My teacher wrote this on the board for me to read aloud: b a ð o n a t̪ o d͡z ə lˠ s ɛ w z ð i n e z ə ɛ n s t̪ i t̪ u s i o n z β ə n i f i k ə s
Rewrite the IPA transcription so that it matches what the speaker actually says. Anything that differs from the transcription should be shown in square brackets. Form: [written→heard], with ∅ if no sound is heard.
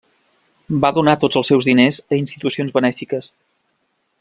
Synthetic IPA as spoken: b a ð [o→u] n a t̪ o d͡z ə lˠ s ɛ w z ð i n e z ə [ɛ→i] n s t̪ i t̪ u s i o n z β ə n [i→ɛ] f i k ə s